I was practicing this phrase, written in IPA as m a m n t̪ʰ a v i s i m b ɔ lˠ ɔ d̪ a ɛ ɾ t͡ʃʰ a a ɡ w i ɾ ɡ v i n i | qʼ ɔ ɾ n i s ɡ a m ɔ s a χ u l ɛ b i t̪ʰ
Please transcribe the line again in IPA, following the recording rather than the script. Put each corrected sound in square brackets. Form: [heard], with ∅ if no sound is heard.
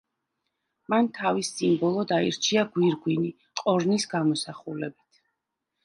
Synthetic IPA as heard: m a [∅] n t̪ʰ a v i s i m b ɔ lˠ ɔ d̪ a [i] ɾ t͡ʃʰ [i] a ɡ w i ɾ ɡ [w] i n i | qʼ ɔ ɾ n i s ɡ a m ɔ s a χ u l ɛ b i t̪ʰ